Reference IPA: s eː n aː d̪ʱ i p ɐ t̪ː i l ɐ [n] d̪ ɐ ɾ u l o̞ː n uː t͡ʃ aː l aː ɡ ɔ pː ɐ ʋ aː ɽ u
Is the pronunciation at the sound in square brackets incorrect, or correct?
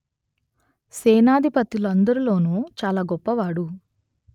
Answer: correct